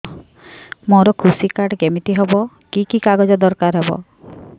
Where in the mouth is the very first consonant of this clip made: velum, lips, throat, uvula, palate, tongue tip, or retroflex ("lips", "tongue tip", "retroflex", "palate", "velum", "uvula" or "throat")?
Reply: lips